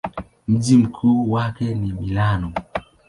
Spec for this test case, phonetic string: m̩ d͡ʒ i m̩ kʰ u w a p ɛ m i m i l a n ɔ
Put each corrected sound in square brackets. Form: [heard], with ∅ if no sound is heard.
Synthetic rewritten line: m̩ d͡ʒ i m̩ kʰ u w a [k] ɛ [n] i m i l a n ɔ